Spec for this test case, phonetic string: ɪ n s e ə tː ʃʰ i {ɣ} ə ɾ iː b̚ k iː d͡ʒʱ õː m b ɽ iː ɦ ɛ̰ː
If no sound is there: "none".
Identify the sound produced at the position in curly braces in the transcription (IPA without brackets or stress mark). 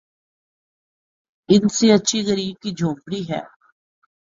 ɣ